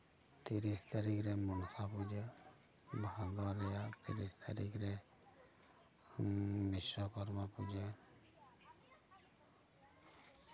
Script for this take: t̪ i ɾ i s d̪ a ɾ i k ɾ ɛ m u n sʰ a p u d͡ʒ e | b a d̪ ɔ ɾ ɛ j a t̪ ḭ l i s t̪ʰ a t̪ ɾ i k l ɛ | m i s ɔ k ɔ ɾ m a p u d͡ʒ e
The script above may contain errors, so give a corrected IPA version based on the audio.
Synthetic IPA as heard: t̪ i ɾ i s t̪ a ɾ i k ɾ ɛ m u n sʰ a p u d͡ʒ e | b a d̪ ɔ ɾ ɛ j a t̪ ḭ ɾ i s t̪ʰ a ɾ i k ɾ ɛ | m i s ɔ k ɔ ɾ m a p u d͡ʒ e